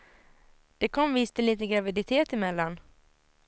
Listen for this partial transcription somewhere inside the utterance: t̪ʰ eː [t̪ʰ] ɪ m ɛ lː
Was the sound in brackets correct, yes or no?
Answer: no